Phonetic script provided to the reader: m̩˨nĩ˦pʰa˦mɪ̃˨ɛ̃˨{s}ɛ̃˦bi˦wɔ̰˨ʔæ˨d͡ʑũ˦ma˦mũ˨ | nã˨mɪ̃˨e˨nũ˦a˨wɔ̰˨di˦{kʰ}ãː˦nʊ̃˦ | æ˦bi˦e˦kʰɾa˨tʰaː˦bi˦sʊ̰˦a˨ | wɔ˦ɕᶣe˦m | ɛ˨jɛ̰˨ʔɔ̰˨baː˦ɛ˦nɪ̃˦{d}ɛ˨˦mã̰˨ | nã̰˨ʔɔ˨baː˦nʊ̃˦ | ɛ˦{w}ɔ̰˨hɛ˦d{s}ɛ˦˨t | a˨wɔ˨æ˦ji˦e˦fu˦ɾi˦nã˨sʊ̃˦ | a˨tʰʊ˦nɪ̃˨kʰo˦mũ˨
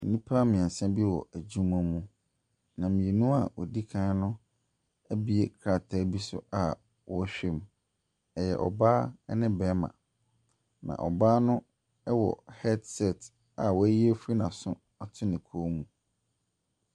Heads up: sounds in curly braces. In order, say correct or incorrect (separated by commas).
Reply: correct, correct, incorrect, correct, correct